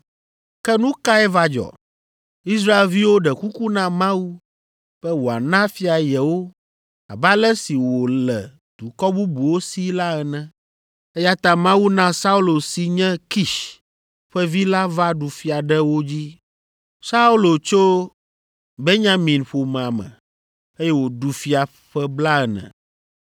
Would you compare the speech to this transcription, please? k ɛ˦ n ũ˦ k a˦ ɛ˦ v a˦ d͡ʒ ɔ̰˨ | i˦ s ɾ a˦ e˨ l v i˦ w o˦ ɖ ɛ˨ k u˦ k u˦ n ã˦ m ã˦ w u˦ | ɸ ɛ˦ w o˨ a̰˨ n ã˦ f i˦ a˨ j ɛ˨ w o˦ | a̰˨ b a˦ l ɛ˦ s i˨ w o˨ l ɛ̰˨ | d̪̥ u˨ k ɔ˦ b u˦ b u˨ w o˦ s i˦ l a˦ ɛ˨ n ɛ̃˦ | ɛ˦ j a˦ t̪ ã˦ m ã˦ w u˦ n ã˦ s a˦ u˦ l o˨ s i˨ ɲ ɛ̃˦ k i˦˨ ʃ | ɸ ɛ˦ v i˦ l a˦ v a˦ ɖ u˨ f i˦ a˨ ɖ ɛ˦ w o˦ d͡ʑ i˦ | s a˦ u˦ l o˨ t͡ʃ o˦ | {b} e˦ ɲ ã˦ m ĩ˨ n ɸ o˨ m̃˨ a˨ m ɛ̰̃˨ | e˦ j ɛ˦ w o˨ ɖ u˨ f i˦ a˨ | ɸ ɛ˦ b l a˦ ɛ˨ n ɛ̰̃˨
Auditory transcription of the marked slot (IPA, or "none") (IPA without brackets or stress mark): b